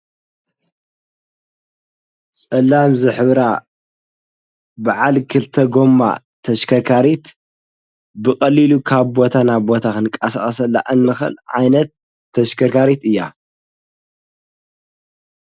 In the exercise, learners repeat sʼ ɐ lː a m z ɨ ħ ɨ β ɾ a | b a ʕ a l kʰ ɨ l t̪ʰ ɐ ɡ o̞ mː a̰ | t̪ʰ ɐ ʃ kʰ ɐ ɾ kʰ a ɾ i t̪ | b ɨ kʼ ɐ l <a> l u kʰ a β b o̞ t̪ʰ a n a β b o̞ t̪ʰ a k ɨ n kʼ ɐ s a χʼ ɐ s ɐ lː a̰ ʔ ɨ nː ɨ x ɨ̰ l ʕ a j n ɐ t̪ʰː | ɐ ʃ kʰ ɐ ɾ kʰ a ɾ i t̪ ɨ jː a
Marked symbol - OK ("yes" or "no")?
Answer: no